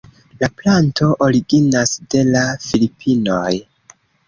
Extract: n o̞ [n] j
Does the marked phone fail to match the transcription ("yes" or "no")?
yes